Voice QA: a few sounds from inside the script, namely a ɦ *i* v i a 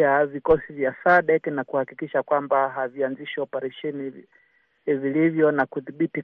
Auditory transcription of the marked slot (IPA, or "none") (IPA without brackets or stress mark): a